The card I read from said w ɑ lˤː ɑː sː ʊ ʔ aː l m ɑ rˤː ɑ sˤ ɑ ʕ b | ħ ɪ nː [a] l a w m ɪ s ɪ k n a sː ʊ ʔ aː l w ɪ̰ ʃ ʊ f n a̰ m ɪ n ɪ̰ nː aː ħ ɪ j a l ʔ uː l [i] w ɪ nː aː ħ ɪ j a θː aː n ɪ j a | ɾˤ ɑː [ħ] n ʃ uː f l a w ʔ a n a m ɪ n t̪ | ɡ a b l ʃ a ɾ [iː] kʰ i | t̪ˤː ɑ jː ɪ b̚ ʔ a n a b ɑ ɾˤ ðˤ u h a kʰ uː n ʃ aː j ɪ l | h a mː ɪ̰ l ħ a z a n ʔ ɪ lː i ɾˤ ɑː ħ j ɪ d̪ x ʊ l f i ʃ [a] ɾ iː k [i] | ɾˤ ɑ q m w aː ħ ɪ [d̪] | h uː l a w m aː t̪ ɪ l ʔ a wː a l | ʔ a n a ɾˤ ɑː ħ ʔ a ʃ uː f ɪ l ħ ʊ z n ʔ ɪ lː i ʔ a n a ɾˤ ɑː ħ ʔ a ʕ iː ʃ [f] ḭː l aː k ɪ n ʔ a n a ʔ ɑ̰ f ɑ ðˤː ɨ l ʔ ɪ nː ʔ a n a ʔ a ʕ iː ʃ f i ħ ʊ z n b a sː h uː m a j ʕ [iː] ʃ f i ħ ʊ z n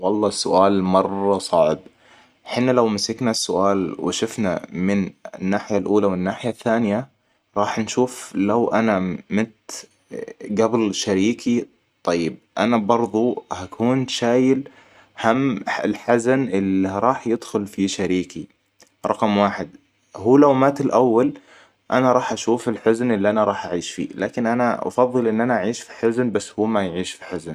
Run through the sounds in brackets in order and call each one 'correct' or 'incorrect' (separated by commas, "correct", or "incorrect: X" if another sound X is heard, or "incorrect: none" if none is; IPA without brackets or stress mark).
correct, incorrect: a, correct, correct, correct, correct, correct, correct, correct